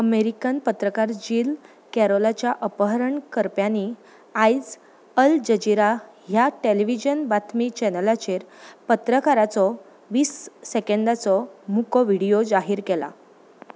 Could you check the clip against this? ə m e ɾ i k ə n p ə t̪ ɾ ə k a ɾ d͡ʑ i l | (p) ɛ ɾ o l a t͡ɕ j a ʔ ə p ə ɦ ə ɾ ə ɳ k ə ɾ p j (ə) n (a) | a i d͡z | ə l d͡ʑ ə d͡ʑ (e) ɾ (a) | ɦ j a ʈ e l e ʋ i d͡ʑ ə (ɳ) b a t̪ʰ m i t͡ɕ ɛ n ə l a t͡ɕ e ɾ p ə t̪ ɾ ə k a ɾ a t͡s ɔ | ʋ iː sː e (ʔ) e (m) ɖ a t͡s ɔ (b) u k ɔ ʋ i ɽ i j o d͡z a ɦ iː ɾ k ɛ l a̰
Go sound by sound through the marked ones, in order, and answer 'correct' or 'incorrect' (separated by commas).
incorrect, incorrect, incorrect, incorrect, correct, incorrect, incorrect, incorrect, incorrect